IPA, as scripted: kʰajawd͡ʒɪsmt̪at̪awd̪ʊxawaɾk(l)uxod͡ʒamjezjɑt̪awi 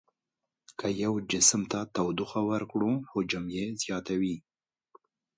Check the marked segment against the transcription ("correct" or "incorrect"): incorrect